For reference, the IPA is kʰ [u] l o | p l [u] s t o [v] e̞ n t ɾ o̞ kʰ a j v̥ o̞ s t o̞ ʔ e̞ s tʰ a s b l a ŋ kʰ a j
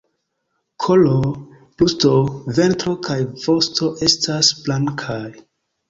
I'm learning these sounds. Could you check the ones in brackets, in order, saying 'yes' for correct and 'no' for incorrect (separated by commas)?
no, yes, yes